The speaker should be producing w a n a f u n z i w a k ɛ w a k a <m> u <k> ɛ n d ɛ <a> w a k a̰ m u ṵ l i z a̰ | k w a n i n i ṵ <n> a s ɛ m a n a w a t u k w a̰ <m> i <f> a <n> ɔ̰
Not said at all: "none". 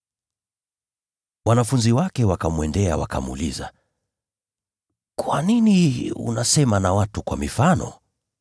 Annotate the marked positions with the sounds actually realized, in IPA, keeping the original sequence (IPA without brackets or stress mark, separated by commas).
m, none, a, n, m, f, n